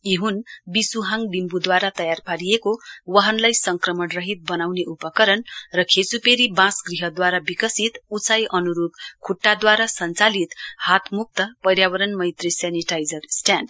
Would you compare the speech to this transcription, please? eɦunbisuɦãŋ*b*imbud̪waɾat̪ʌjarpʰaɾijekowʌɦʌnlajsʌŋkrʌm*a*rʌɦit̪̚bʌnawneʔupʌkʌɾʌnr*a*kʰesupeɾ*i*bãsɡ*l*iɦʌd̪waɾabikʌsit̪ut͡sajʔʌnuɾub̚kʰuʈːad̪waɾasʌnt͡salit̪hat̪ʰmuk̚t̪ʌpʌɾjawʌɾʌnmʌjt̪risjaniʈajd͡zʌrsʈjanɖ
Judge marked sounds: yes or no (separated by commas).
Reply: yes, no, no, yes, no